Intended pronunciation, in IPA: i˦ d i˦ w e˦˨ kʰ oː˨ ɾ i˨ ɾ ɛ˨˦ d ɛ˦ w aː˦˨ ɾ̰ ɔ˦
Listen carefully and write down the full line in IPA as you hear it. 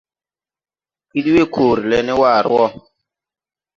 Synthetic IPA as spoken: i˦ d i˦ w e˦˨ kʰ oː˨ ɾ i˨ l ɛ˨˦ n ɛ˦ w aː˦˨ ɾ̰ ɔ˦